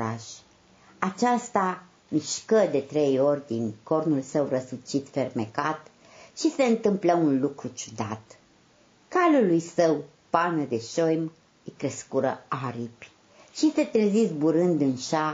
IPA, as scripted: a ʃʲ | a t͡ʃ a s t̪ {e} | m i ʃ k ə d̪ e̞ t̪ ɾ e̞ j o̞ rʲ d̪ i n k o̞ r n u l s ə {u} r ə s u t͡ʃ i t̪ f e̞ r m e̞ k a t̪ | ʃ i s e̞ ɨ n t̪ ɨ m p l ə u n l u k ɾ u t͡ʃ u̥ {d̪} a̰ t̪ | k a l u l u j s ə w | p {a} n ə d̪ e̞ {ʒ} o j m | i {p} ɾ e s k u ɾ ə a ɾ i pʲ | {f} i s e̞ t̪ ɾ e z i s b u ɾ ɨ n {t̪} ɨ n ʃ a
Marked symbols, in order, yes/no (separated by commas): no, no, yes, yes, no, no, no, no